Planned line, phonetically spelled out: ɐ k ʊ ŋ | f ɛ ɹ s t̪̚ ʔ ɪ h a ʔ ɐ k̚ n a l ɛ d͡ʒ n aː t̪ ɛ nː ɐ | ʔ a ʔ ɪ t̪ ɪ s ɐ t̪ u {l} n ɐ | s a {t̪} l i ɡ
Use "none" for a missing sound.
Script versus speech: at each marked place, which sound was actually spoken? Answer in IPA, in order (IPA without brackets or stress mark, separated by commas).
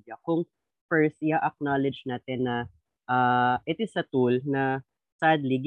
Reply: l, d̪